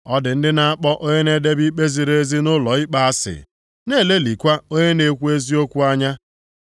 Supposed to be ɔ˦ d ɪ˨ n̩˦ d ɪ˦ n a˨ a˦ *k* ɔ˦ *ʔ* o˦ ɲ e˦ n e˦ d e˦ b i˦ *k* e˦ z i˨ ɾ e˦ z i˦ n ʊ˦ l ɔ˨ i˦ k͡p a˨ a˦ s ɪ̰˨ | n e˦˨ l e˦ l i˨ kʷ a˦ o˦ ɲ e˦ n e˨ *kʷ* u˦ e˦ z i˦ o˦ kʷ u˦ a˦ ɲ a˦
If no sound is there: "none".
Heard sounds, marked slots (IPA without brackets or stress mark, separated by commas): k͡p, ʔ, k͡p, kʷ